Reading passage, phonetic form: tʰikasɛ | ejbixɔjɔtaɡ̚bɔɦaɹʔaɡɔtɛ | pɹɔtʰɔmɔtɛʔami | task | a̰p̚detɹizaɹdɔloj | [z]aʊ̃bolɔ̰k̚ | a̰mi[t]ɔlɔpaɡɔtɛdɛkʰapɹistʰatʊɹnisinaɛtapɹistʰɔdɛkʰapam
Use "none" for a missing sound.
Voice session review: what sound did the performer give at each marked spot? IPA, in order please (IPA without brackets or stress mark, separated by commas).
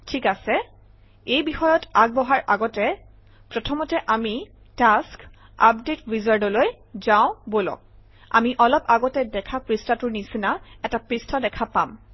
z, ʔ